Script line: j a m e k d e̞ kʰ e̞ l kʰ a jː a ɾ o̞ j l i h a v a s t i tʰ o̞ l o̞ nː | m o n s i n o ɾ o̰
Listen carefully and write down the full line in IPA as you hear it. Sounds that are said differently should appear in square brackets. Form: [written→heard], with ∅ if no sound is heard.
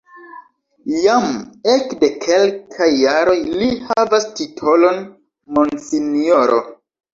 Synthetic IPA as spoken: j a m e k d e̞ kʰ e̞ l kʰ a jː a ɾ o̞ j l i h a v a s t i tʰ o̞ l o̞ [nː→n] | m o n s i n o ɾ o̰